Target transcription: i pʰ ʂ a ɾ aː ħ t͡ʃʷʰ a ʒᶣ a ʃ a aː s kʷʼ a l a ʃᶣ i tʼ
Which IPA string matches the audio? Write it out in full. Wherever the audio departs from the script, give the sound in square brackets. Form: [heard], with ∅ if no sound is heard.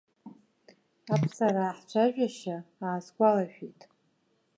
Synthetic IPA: [a] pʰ [s] a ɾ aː ħ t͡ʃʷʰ a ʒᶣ a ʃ a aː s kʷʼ a l a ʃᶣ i tʼ